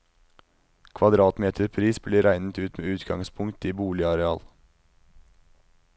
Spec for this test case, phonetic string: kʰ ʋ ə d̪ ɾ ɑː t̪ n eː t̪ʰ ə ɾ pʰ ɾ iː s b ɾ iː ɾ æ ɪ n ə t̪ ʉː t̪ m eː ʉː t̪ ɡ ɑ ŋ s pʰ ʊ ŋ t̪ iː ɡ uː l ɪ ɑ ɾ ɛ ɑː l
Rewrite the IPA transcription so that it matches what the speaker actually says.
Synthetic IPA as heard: kʰ ʋ ɑ d̪ ɾ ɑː t̪ m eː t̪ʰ ə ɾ pʰ ɾ iː s b l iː ɾ æ ɪ n ə t̪ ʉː t̪ m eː ʉː t̪ ɡ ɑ ŋ s pʰ ʊ ŋ t̪ iː b uː l ɪ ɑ ɾ ɛ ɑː l